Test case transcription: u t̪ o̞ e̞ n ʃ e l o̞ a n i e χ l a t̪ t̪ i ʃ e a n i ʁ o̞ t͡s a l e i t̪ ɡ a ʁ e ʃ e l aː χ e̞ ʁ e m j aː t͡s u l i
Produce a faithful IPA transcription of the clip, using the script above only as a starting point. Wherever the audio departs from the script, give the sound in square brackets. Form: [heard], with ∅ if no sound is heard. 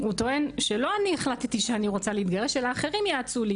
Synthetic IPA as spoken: u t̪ o̞ e̞ n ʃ e l o̞ a n i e χ l a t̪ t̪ i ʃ e a n i ʁ o̞ t͡s a l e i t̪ ɡ a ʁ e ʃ e l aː χ e̞ ʁ [i] m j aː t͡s u l i